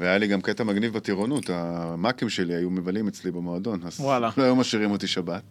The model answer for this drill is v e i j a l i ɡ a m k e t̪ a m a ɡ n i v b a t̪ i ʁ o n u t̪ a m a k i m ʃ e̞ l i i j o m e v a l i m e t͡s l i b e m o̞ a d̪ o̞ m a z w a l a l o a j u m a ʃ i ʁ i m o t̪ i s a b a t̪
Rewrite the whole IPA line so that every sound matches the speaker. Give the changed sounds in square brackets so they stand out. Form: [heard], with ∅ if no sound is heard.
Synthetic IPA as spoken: v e [a] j a l i ɡ a m k e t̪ a m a ɡ n i v b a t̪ i ʁ o n u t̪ a m a k i m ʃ e̞ l i [a] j [u] m e v a l i m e t͡s l i b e m o̞ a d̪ o̞ [n] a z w a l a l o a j u m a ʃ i ʁ i m o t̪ i [ʃ] a b a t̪